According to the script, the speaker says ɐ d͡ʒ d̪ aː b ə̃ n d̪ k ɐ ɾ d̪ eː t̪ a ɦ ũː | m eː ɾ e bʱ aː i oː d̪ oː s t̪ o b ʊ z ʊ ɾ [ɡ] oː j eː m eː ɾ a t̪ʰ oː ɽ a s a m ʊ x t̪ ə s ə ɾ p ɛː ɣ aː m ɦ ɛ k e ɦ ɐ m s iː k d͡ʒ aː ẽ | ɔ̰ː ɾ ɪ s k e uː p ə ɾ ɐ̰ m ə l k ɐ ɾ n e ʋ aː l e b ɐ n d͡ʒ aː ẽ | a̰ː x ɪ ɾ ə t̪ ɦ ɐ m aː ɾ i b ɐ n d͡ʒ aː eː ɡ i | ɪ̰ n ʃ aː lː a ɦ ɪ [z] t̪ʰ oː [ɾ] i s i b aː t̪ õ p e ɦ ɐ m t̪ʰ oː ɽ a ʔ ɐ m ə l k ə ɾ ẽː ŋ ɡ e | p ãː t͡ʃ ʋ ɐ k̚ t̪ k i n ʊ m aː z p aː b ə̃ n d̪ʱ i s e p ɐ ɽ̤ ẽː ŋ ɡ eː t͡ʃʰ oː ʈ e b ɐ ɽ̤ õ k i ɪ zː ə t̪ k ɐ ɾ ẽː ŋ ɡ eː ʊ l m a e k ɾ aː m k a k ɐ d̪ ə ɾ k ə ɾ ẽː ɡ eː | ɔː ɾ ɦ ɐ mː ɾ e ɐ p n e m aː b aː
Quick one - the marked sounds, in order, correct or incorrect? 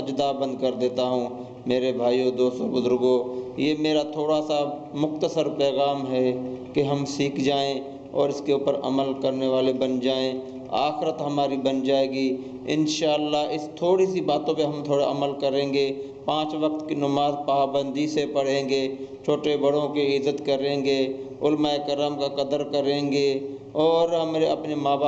correct, incorrect: s, incorrect: ɽ

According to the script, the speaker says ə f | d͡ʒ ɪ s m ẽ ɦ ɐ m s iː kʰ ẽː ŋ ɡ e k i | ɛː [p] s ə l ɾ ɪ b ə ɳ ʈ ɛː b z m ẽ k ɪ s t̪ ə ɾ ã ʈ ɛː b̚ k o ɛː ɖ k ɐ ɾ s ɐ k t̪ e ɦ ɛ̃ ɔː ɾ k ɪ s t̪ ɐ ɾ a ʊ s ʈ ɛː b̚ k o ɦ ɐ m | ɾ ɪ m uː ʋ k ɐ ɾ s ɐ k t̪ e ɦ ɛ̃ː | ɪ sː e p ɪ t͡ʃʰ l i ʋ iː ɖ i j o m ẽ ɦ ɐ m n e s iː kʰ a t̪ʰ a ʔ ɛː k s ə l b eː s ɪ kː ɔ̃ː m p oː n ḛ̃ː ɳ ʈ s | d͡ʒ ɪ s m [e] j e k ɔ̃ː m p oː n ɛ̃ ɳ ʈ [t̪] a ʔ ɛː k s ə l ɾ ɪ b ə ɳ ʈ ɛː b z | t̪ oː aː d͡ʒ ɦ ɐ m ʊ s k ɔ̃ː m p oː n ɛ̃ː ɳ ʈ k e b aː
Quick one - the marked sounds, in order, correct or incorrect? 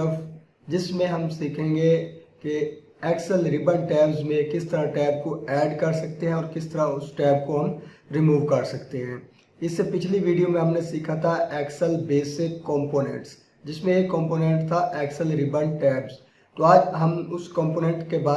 incorrect: k, incorrect: ẽ, incorrect: t̪ʰ

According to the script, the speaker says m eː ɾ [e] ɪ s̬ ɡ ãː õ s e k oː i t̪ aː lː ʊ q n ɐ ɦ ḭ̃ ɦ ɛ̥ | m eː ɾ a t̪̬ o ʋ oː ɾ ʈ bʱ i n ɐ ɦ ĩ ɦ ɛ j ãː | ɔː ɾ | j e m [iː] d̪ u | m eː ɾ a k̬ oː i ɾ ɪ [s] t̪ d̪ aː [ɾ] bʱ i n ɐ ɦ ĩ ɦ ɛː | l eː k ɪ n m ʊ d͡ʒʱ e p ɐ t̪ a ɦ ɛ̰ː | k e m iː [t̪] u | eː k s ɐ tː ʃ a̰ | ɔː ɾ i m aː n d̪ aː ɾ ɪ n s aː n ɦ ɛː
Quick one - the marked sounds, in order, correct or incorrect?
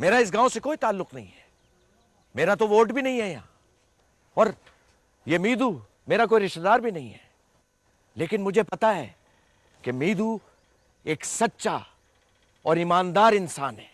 incorrect: a, correct, incorrect: ʃ, correct, incorrect: d̪

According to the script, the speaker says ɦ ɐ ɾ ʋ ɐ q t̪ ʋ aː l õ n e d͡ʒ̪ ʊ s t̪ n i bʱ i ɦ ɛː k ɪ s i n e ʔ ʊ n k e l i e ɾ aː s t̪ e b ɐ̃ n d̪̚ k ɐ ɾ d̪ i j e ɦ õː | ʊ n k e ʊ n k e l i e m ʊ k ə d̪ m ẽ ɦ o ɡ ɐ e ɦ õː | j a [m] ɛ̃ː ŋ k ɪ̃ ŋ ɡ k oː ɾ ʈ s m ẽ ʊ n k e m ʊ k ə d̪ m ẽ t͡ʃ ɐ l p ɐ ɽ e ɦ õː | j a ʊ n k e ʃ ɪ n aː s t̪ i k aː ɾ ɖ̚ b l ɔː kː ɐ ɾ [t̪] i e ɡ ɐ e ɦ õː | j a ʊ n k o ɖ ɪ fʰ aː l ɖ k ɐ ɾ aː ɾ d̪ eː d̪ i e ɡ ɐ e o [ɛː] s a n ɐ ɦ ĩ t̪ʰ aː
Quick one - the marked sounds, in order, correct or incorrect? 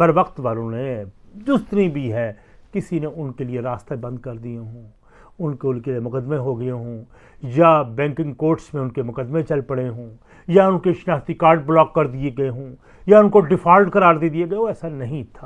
incorrect: b, incorrect: d̪, correct

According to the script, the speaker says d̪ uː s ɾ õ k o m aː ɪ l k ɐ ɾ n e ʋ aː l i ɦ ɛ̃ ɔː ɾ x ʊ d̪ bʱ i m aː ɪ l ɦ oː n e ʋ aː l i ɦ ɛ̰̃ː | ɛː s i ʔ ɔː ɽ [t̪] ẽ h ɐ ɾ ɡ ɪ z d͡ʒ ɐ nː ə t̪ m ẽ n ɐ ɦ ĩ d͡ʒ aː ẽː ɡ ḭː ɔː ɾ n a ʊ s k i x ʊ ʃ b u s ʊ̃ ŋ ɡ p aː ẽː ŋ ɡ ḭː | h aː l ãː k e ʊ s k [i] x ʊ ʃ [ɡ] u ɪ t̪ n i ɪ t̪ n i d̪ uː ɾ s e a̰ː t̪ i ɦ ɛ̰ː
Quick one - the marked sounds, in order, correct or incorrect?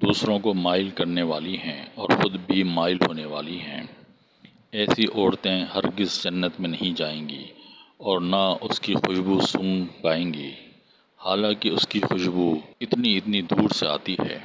correct, correct, incorrect: b

